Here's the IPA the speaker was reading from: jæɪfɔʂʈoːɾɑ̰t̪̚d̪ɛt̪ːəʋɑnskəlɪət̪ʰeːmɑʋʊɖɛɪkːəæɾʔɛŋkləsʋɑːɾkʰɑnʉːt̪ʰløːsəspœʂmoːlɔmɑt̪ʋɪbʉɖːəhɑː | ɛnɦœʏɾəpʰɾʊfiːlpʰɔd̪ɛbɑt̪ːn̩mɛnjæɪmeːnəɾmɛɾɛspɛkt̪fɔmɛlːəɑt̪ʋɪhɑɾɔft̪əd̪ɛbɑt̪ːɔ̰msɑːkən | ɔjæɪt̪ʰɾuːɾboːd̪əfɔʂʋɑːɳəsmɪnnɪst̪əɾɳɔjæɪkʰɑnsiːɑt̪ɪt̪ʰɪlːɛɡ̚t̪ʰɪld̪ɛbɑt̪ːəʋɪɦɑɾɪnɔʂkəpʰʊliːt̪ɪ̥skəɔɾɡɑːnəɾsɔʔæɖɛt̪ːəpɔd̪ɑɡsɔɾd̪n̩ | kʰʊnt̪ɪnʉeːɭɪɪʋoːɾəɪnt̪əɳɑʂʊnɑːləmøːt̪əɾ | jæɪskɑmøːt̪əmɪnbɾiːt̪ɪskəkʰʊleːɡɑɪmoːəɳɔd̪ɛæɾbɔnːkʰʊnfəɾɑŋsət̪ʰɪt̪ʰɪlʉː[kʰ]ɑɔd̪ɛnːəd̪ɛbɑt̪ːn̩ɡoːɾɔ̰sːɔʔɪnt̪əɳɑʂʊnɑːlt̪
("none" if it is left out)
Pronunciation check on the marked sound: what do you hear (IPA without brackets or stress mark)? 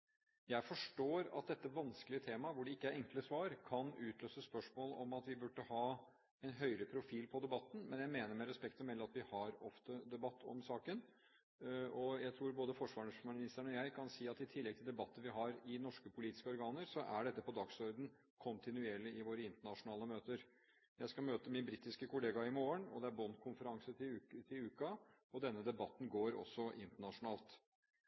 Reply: k